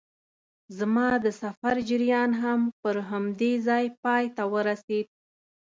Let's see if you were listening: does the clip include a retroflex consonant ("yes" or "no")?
no